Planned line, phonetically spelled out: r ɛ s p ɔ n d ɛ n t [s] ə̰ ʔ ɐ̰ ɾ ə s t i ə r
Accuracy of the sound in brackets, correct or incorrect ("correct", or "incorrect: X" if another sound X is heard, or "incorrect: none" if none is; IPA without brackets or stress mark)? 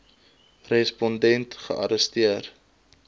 incorrect: χ